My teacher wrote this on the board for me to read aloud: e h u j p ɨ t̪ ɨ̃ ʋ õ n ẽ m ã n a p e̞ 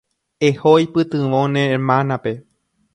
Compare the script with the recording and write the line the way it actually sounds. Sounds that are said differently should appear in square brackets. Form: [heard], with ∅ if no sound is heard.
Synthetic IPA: e h [o] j p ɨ t̪ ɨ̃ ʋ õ n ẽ m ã n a p e̞